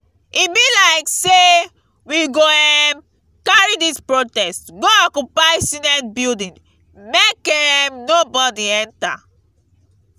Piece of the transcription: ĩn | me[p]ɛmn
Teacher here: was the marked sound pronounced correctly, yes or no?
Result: no